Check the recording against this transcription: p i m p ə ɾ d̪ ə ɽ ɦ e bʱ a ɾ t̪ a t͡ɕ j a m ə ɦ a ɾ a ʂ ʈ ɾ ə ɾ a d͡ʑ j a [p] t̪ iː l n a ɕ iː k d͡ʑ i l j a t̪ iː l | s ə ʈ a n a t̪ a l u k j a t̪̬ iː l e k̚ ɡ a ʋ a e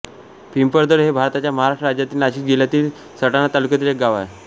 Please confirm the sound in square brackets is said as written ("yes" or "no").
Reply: no